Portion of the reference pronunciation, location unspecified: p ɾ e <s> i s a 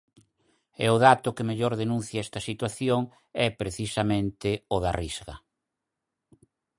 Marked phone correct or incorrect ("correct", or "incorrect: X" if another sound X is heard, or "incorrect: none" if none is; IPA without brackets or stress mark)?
incorrect: θ